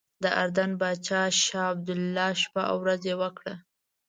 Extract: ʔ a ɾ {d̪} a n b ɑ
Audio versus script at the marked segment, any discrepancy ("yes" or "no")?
no